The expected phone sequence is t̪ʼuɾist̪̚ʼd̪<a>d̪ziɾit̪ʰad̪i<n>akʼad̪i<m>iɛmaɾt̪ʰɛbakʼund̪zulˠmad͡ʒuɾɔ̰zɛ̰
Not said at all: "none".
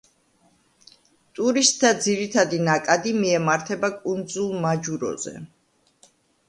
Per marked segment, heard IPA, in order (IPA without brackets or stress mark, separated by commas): a, n, m